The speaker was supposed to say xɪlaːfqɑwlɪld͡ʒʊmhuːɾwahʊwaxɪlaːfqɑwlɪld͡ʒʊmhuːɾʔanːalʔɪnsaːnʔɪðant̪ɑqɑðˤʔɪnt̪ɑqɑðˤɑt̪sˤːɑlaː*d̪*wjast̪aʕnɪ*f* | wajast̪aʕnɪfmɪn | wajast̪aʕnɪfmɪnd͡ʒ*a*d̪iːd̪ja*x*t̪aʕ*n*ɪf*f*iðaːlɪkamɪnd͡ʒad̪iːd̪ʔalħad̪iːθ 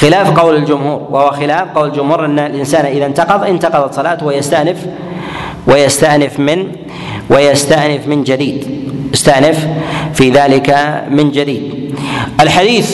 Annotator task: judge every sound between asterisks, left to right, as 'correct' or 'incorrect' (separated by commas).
incorrect, correct, correct, incorrect, correct, correct